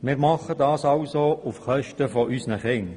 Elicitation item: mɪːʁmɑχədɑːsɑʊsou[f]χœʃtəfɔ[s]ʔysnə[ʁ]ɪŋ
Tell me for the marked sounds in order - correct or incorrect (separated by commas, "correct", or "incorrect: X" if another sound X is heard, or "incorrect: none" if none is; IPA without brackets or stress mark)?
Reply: correct, incorrect: none, incorrect: χ